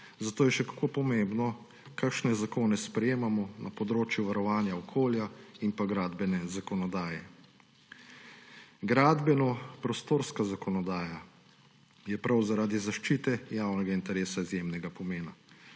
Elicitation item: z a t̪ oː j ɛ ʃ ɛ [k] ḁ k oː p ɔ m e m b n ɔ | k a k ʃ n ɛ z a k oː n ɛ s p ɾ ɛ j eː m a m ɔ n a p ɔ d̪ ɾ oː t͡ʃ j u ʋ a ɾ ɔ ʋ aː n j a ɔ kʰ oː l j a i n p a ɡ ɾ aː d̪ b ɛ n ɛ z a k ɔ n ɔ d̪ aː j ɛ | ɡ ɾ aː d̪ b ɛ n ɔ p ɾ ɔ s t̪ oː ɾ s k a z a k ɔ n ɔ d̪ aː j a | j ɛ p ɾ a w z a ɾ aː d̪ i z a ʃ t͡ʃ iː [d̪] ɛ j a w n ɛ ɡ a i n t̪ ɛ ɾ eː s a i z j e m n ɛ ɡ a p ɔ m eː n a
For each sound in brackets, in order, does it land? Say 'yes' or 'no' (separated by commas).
yes, no